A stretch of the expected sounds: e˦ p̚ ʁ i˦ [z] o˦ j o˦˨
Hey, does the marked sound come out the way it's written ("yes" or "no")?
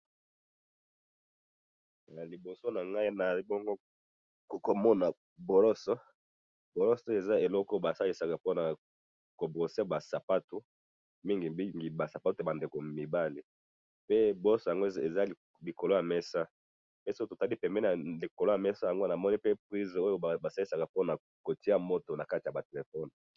yes